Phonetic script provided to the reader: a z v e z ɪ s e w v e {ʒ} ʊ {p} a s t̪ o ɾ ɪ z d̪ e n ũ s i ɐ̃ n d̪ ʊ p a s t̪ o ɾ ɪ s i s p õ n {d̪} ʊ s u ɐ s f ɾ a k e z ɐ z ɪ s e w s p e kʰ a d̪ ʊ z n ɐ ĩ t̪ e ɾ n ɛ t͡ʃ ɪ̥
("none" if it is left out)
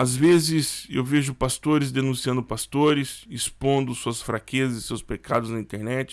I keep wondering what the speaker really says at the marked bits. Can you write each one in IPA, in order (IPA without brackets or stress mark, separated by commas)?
ʒ, p, d̪